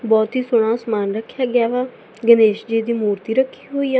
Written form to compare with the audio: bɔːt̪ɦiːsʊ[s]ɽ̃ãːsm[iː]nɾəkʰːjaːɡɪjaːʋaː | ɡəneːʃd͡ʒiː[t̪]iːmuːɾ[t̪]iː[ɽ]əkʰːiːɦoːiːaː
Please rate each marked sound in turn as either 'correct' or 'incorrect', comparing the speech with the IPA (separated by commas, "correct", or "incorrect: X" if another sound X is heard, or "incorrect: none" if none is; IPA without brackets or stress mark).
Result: incorrect: none, incorrect: aː, incorrect: d̪, correct, incorrect: ɾ